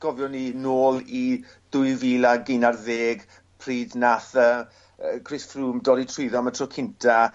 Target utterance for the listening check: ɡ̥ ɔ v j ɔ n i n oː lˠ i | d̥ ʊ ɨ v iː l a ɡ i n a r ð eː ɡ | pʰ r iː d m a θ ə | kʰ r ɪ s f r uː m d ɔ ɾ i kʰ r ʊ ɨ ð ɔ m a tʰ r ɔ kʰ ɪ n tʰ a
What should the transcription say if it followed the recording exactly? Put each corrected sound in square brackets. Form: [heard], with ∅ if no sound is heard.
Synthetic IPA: ɡ̥ ɔ v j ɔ n i n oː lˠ i | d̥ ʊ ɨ v iː l a ɡ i n a r ð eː ɡ | pʰ r iː d [n] a θ ə | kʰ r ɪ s f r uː m d ɔ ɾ i [tʰ] r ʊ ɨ ð ɔ m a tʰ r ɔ kʰ ɪ n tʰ a